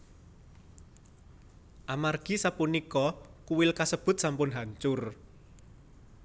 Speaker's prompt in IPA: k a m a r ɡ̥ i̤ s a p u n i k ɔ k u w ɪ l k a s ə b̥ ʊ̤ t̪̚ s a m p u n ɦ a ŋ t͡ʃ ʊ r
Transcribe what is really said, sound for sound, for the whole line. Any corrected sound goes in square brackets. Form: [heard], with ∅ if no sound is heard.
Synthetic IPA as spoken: [ʔ] a m a r ɡ̥ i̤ s a p u n i k ɔ k u w ɪ l k a s ə b̥ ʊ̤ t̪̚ s a m p [ʊ] n ɦ a [ɲ] t͡ʃ ʊ r